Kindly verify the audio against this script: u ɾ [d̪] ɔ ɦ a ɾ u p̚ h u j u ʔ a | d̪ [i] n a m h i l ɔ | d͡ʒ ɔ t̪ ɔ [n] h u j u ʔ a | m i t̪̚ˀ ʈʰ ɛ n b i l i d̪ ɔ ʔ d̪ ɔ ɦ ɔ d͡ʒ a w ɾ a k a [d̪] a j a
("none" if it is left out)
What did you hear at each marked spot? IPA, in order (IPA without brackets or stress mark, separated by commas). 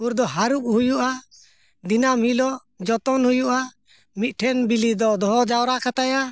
d̪, i, n, t̪